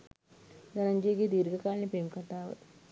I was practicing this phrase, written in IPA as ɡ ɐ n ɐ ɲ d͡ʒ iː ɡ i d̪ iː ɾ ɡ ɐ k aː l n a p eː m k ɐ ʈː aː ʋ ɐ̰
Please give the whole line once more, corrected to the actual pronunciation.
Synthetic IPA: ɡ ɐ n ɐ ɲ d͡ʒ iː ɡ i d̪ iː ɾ ɡ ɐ k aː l n i p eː m k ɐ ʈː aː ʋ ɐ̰